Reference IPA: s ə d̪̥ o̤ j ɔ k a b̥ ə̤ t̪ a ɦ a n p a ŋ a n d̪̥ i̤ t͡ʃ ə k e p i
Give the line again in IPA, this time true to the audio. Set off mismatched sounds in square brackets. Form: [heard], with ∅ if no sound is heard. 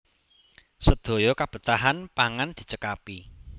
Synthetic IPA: s ə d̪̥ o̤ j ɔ k a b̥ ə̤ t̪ a ɦ a n p a ŋ a n d̪̥ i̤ t͡ʃ ə k [a] p i